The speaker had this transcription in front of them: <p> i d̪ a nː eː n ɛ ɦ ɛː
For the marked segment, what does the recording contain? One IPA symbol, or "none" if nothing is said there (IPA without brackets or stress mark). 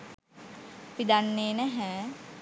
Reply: p